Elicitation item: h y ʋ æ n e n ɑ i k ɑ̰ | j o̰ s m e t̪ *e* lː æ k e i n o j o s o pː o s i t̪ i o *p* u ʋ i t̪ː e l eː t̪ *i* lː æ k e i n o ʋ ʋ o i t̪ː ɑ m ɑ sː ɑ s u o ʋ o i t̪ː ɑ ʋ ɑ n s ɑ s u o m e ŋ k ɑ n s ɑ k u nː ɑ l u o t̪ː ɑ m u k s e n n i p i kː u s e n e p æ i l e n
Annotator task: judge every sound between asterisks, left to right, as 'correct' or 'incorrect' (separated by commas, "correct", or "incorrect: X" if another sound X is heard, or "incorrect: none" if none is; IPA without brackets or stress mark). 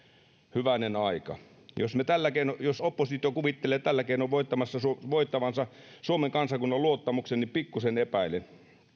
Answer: incorrect: æ, incorrect: k, incorrect: æ